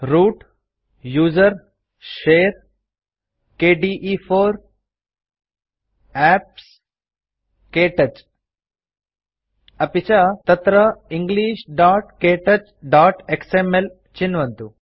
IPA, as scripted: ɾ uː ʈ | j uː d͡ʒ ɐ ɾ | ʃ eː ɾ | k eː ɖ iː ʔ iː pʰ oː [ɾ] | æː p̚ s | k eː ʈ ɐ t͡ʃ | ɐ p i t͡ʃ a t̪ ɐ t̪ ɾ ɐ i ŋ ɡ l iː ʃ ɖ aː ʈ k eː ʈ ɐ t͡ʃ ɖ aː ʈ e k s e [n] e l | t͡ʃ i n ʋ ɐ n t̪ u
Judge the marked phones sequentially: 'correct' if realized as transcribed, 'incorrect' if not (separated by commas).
correct, incorrect